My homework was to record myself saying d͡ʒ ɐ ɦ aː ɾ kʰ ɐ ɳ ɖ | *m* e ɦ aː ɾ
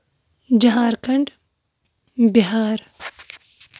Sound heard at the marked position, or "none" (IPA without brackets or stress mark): b